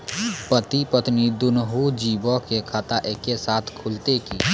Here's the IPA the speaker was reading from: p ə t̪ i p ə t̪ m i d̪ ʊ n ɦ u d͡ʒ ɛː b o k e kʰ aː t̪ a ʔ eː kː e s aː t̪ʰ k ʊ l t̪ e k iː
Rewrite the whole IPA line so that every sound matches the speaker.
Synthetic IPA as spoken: p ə t̪ i p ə t̪ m i d̪ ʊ n ɦ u d͡ʒ iː b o k e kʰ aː t̪ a ʔ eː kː e s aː t̪ʰ kʰ ʊ l t̪ e k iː